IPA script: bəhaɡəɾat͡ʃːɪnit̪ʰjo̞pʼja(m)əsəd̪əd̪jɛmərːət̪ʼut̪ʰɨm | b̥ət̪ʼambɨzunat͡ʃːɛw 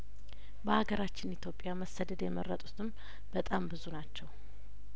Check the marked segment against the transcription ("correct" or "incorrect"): correct